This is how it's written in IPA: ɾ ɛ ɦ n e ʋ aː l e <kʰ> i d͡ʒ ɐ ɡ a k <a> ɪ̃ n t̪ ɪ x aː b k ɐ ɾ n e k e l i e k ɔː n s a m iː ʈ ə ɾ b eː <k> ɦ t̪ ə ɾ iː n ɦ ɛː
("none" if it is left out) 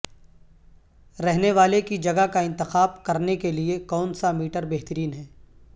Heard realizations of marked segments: k, a, none

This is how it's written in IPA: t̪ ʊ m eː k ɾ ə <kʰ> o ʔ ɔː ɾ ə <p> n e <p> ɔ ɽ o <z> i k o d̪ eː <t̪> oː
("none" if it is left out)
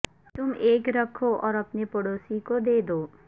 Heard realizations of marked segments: kʰ, p, p, s, d̪

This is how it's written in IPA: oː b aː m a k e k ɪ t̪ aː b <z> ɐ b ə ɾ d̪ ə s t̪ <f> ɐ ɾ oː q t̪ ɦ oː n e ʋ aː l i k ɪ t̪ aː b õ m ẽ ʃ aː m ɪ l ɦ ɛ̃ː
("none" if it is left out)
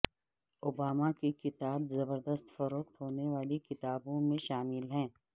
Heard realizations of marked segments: z, f

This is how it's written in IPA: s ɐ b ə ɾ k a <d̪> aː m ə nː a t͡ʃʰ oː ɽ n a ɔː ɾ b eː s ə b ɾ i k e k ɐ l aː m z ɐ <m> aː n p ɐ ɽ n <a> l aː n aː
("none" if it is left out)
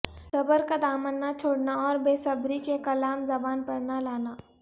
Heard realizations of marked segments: d̪, b, a

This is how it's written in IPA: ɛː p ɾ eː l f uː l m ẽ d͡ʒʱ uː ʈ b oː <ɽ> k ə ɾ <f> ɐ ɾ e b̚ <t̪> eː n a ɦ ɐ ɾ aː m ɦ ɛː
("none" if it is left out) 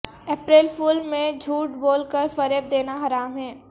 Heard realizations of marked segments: l, f, d̪

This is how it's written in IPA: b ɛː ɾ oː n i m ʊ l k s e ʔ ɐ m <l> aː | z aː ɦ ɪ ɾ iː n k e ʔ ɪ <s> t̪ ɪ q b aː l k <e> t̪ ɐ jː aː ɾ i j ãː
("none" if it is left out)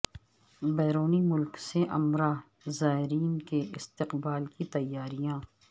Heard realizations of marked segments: ɾ, s, i

